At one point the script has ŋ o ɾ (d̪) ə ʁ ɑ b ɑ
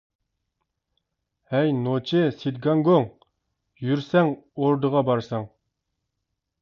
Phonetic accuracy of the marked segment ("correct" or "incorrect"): correct